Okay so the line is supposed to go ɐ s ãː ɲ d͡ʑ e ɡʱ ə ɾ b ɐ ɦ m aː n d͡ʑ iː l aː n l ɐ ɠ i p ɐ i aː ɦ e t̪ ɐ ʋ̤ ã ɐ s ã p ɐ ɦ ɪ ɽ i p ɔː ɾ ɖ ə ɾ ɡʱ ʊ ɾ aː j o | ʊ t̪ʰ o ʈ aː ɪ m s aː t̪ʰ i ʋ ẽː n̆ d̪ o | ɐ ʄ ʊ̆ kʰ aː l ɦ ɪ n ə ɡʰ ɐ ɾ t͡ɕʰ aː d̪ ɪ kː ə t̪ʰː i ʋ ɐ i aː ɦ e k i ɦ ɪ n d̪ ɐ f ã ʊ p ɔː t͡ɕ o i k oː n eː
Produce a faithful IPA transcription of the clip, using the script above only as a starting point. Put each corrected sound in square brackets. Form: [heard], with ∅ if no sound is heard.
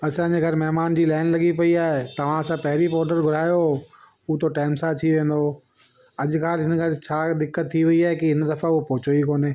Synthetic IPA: ɐ s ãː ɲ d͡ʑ e ɡʱ [ɐ] ɾ [m] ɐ ɦ m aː n d͡ʑ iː l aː n l ɐ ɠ i p ɐ i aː ɦ e t̪ ɐ ʋ̤ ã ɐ s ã p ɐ ɦ ɪ [ɾ] i p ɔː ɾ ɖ ə ɾ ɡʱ ʊ ɾ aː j o | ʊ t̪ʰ o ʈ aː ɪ m s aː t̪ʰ i ʋ ẽː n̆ d̪ o | ɐ ʄ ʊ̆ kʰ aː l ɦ ɪ n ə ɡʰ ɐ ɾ t͡ɕʰ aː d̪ ɪ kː ə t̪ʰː i ʋ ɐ i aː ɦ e k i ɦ ɪ n d̪ ɐ f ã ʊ p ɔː t͡ɕ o i k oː n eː